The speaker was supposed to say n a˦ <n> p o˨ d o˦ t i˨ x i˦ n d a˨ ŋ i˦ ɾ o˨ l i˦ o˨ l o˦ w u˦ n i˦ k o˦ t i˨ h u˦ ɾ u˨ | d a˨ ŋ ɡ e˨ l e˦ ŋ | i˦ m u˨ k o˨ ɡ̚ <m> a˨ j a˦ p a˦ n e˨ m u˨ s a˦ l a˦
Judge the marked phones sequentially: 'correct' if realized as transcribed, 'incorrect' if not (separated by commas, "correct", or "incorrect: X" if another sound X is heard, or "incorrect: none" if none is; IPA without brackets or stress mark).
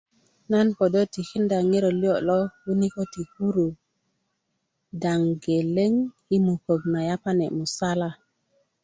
correct, incorrect: n